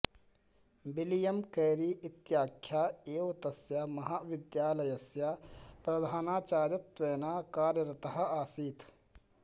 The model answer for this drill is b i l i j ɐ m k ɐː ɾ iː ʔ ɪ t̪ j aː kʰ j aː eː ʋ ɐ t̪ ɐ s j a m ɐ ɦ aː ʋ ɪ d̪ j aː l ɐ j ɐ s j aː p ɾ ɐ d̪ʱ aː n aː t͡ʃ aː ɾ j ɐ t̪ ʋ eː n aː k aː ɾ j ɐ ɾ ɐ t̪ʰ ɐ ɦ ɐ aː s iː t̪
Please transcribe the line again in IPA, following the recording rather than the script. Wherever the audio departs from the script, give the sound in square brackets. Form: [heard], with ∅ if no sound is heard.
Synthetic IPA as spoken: b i l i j ɐ m k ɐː ɾ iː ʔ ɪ t̪ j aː kʰ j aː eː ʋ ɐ t̪ ɐ s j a m ɐ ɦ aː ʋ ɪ d̪ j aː l ɐ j ɐ s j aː p ɾ ɐ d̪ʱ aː n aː t͡ʃ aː ɾ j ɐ t̪ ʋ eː n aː k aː ɾ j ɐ ɾ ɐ [t̪] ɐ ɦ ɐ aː s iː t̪